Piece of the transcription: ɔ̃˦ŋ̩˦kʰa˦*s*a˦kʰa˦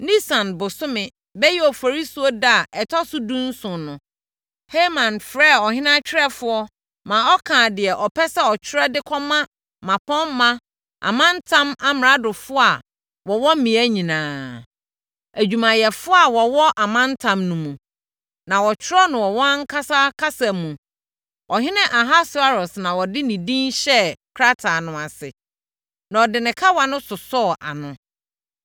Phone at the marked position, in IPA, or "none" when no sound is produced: s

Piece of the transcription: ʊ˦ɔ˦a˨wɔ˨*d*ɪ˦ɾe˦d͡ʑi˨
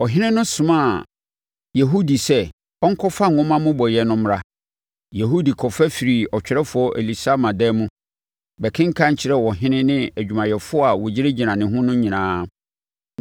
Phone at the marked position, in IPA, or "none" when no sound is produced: d͡ʑ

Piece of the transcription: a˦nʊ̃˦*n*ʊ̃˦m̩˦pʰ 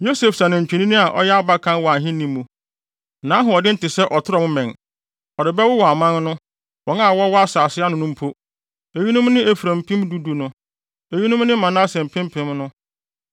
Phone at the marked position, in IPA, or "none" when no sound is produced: n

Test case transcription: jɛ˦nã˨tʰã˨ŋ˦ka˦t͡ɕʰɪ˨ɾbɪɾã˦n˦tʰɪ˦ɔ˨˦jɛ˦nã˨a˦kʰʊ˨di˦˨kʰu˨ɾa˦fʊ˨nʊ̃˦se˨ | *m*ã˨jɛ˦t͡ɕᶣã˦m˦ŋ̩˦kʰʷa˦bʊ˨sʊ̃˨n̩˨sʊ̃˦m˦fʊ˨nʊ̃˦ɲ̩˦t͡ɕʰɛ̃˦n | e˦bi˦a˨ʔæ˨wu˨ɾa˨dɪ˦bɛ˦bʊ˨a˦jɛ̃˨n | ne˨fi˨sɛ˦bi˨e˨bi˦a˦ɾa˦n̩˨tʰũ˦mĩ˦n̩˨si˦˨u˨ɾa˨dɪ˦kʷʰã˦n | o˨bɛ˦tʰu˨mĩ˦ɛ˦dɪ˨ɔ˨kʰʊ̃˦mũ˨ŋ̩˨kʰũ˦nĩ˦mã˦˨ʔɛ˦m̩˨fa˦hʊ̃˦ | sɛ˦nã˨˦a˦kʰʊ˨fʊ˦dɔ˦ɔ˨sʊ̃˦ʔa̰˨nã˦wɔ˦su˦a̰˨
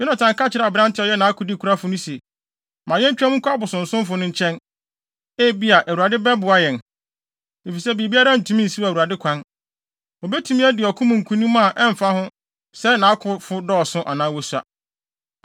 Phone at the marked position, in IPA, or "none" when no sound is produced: m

